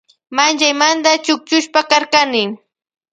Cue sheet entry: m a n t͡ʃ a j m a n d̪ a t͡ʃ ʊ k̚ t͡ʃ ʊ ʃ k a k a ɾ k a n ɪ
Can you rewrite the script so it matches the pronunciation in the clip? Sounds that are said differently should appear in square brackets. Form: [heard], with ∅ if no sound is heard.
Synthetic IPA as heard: m a n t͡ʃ a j m a n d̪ a t͡ʃ ʊ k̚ t͡ʃ ʊ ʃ [p] a k a ɾ k a n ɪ